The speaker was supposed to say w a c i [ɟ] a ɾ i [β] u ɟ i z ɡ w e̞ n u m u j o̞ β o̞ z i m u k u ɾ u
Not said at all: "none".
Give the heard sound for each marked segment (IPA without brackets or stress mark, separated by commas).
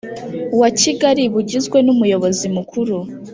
ɡ, β